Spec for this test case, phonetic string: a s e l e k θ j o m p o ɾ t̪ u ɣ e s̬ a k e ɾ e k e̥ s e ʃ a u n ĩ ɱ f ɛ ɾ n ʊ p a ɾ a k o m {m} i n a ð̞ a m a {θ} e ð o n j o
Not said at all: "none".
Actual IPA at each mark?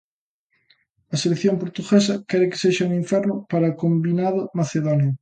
b, θ

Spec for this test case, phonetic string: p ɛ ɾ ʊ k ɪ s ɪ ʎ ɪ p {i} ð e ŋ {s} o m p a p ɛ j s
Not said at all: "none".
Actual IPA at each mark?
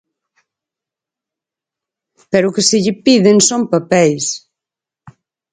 i, s

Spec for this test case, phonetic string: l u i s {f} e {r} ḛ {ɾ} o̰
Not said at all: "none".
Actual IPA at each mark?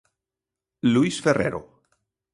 f, r, ɾ

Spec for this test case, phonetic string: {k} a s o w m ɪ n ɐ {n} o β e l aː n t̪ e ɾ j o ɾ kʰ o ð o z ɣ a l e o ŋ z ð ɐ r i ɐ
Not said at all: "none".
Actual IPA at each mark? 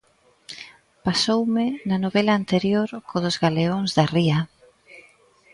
p, n

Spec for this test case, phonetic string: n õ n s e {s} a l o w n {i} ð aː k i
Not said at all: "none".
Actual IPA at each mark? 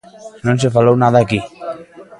f, a

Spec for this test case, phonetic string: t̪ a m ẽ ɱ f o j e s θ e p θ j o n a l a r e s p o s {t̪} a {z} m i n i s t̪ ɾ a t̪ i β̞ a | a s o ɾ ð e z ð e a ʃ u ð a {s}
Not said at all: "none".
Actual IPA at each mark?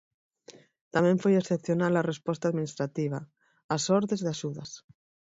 t̪, ð, s

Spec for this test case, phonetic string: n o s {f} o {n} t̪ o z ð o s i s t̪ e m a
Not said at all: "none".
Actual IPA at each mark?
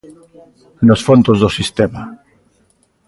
f, n

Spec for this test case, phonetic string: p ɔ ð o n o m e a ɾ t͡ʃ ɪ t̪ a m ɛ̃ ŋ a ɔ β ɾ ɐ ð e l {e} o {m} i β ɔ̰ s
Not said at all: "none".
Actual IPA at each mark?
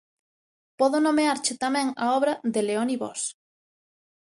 e, n

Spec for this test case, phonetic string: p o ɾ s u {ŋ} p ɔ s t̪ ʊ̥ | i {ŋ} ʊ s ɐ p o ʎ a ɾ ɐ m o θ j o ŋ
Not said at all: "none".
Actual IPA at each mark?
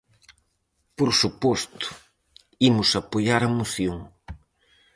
none, m

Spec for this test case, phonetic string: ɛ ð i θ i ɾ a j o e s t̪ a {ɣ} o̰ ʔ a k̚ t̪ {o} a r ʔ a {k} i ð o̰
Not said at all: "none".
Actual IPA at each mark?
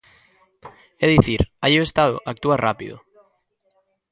ð, u, p

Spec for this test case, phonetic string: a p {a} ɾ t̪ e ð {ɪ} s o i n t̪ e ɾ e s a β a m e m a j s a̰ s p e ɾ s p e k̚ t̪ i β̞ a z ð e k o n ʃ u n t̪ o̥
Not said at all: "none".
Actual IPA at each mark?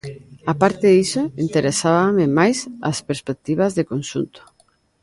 a, i

